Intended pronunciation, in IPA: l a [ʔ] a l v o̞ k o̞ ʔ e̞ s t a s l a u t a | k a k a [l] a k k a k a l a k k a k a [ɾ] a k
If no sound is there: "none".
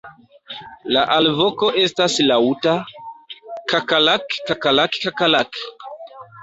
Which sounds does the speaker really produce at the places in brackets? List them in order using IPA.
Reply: ʔ, l, l

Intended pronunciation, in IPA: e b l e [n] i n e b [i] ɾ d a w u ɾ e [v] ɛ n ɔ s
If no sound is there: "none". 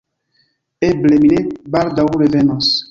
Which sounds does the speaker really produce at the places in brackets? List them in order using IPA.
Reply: m, a, v

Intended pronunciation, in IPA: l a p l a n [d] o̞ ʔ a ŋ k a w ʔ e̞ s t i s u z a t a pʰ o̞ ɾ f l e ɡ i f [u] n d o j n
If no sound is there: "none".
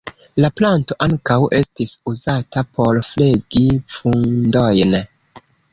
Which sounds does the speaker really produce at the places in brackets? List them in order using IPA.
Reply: t, u

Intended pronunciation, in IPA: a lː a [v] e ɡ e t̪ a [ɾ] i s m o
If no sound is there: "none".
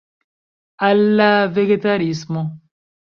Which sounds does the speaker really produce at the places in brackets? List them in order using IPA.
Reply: v, ɾ

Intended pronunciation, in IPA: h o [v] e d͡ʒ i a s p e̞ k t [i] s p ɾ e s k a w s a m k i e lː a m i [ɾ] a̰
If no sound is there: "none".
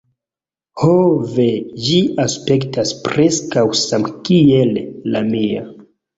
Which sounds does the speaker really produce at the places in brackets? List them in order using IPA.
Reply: v, a, none

